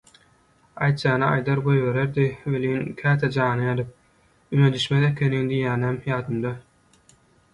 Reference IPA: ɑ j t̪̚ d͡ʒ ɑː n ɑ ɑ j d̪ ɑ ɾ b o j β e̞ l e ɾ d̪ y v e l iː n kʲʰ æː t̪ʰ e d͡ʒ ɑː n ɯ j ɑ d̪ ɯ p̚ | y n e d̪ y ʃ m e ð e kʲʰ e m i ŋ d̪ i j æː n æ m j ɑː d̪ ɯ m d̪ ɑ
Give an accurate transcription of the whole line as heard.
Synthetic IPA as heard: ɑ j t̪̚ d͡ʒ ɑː n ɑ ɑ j d̪ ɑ ɾ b o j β e̞ ɾ e ɾ d̪ i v e l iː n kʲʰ æː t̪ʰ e d͡ʒ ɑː n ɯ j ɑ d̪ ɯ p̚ | y n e d̪ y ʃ m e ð e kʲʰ e n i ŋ d̪ i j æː n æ m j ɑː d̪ ɯ m d̪ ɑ